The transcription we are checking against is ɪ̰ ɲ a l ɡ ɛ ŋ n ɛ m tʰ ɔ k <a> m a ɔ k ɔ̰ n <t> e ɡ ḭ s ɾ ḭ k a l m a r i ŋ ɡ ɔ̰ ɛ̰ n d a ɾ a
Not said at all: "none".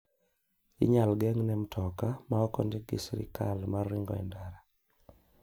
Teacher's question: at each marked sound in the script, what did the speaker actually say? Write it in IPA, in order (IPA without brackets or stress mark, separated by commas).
a, d